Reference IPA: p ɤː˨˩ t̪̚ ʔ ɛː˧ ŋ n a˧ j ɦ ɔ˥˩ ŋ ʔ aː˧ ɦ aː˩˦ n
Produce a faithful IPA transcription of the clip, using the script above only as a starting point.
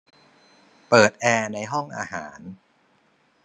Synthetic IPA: p ɤː˨˩ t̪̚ ʔ ɛː˧ n a˧ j ɦ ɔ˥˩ ŋ ʔ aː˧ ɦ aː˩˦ n